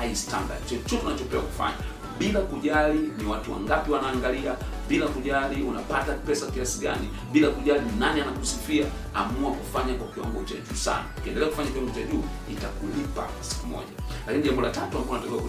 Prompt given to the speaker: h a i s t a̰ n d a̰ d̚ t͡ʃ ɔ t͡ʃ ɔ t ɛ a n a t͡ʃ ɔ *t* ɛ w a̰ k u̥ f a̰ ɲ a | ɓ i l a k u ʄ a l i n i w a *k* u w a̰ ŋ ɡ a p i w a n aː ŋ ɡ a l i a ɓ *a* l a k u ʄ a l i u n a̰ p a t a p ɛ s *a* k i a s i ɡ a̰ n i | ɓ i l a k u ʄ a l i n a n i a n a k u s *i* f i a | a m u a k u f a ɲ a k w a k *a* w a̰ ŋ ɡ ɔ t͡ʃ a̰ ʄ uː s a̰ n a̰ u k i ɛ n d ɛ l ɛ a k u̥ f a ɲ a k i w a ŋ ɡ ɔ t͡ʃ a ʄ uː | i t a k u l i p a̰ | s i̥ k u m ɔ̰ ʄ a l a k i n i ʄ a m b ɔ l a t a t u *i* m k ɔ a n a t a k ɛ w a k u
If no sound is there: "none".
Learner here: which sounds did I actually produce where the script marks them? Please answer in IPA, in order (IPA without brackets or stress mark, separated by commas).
p, t, i, a, i, i, a